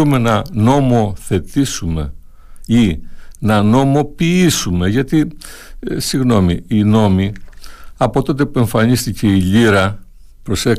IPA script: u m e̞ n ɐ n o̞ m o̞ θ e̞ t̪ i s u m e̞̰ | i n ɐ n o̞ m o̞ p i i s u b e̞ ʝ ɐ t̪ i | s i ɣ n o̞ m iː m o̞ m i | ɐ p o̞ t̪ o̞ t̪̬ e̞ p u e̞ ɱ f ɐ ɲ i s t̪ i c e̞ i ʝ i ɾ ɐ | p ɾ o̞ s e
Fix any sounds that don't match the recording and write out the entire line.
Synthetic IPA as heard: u m e̞ n ɐ n o̞ m o̞ θ e̞ t̪ i s u m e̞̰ | i n ɐ n o̞ m o̞ p i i s u m e̞ ʝ ɐ t̪ i | s i ɣ n o̞ m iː n o̞ m i | ɐ p o̞ t̪ o̞ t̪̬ e̞ p u e̞ ɱ f ɐ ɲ i s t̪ i c e̞ i ʎ i ɾ ɐ | p ɾ o̞ s e